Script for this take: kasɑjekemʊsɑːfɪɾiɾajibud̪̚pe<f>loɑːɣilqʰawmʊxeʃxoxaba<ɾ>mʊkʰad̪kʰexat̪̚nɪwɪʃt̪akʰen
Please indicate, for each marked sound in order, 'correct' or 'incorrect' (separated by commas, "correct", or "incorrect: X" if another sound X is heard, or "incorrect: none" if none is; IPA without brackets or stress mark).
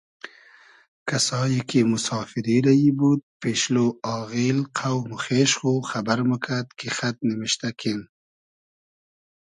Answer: incorrect: ʃ, correct